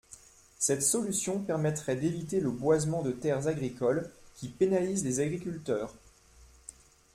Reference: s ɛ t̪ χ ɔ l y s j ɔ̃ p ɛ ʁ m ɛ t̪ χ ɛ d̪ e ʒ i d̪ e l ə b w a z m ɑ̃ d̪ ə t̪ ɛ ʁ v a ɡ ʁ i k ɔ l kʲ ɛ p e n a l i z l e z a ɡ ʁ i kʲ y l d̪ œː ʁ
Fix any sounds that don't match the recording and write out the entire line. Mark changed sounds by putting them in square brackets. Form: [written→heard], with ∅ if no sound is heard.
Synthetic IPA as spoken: s ɛ t̪ [χ→s] ɔ l y s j ɔ̃ p ɛ ʁ m ɛ t̪ χ ɛ d̪ e [ʒ→v] i [d̪→t̪] e l ə b w a z m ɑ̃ d̪ ə t̪ ɛ ʁ [v→z] a ɡ ʁ i k ɔ l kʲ [ɛ→i] p e n a l i z l e z a ɡ ʁ i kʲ y l [d̪→t̪] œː ʁ